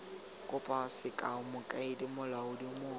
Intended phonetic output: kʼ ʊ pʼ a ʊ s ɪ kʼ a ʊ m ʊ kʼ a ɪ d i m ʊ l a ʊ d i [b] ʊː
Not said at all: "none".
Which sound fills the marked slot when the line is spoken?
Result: m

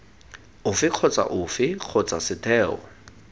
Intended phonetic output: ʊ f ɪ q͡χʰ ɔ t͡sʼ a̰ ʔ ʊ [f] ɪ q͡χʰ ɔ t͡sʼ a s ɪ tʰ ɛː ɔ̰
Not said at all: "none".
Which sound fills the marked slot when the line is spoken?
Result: f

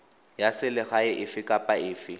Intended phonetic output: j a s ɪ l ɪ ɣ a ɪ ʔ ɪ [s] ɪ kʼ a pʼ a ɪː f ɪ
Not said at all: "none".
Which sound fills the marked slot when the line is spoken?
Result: f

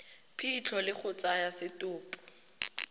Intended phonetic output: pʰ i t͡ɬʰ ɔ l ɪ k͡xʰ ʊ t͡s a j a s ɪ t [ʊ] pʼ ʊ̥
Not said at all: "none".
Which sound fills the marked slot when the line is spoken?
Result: ʊː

